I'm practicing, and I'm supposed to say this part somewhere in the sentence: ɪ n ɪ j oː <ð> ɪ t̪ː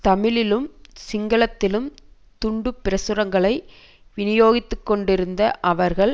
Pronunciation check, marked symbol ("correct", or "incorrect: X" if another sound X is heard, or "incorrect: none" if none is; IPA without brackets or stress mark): incorrect: ɣ